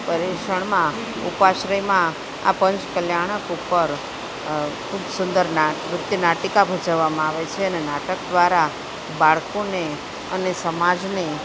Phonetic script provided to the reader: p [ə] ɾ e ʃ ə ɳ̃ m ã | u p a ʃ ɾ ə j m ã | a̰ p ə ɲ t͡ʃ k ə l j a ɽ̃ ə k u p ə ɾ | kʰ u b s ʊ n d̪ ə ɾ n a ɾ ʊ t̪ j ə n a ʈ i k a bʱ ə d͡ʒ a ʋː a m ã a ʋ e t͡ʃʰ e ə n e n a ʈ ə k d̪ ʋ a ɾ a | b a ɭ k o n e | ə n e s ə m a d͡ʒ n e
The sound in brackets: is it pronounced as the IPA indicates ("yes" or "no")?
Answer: yes